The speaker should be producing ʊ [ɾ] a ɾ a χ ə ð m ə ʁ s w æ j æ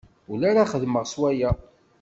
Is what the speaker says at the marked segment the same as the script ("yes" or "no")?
no